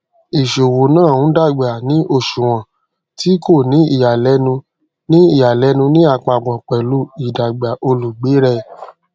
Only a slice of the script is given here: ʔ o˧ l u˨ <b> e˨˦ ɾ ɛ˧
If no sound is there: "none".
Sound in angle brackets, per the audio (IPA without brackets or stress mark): ɡ͡b